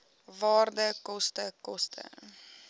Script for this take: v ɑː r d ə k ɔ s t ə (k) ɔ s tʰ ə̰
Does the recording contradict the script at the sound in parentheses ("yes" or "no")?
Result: no